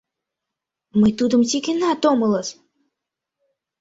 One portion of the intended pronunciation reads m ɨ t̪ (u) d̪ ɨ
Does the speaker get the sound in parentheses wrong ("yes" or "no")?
no